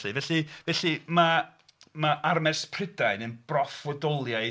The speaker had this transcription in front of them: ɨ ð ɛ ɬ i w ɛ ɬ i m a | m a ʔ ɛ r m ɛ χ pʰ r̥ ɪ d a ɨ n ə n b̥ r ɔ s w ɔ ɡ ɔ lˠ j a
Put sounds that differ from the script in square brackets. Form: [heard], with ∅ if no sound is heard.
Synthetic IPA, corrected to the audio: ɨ [v] ɛ ɬ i [v] ɛ ɬ i m a | m a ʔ [a] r m ɛ [s] pʰ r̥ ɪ d a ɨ n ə n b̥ r ɔ [f] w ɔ [d] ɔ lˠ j a